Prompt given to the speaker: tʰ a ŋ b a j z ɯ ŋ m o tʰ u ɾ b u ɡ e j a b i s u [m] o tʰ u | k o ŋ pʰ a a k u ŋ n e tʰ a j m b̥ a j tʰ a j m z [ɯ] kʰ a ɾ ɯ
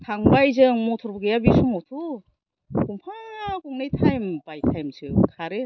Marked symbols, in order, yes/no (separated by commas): yes, yes